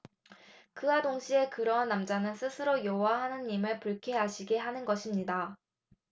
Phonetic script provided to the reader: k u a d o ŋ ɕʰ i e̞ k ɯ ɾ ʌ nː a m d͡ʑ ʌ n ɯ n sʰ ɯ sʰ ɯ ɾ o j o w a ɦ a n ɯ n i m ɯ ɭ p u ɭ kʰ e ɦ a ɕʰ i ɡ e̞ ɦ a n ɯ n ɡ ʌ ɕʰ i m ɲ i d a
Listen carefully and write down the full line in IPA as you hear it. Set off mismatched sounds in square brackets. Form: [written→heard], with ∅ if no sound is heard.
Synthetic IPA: k [u→ɯ] a d o ŋ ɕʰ i e̞ k ɯ ɾ ʌ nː a m d͡ʑ [ʌ→a] n ɯ n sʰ ɯ sʰ ɯ ɾ o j o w a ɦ a n ɯ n i m ɯ ɭ p u ɭ kʰ e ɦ a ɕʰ i ɡ e̞ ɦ a n ɯ n ɡ ʌ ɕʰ i m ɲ i d a